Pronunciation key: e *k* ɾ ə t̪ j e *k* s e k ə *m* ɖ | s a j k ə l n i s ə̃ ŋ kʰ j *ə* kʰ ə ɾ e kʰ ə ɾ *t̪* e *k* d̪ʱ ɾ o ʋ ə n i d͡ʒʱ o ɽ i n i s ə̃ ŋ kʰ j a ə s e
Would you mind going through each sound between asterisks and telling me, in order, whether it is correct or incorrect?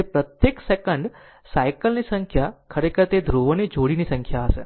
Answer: incorrect, correct, incorrect, incorrect, correct, incorrect

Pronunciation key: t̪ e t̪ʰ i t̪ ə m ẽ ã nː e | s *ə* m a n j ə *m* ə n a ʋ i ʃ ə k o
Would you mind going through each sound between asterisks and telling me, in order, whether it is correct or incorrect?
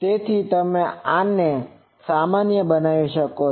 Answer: incorrect, incorrect

